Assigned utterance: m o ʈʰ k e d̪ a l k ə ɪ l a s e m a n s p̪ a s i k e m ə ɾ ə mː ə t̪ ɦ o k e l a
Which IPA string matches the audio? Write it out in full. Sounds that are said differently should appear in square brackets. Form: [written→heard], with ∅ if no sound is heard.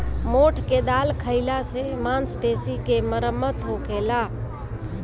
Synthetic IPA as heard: m o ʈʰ k e d̪ a l [k→kʰ] ə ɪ l a s e m a n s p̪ [a→e] s i k e m ə ɾ ə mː ə t̪ ɦ o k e l a